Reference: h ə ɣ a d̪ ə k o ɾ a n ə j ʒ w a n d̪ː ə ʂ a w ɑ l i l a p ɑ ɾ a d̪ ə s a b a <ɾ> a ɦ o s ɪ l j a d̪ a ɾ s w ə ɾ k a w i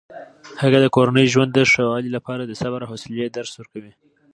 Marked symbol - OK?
yes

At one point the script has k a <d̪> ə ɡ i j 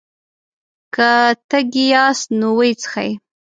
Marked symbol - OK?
no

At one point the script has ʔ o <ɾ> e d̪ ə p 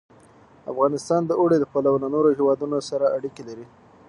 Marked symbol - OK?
no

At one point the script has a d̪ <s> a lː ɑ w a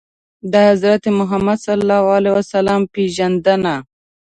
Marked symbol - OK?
yes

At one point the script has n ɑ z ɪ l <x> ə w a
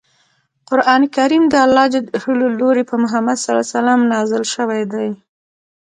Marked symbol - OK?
no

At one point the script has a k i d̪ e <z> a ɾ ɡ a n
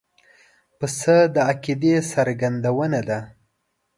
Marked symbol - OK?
no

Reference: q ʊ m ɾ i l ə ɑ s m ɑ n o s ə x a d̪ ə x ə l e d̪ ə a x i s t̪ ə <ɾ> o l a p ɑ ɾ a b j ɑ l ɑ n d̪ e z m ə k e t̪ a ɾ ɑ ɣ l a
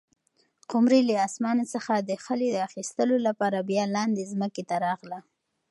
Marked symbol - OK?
no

